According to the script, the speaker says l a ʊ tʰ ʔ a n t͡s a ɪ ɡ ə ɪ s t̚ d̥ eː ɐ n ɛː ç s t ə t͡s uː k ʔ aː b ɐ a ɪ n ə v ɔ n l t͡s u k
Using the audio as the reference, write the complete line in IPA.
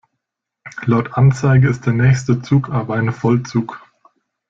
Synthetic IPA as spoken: l a ʊ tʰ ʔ a n t͡s a ɪ ɡ ə ɪ s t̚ d̥ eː ɐ n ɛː ç s t ə t͡s uː k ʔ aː b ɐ a ɪ n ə f ɔ l t͡s uː k